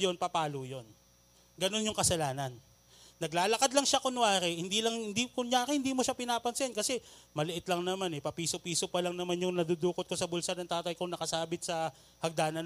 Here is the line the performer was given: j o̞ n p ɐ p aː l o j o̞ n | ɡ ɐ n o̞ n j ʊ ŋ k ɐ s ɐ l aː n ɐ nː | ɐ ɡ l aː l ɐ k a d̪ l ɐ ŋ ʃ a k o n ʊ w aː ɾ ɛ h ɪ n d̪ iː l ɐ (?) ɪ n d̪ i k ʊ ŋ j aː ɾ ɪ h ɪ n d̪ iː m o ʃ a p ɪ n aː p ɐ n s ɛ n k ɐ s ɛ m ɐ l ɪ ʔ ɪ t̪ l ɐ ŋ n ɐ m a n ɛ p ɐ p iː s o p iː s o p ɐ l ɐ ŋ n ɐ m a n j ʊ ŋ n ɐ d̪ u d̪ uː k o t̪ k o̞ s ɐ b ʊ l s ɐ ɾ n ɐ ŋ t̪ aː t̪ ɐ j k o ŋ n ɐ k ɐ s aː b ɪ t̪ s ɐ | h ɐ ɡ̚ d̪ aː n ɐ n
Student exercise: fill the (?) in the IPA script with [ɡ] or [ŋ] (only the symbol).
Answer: ŋ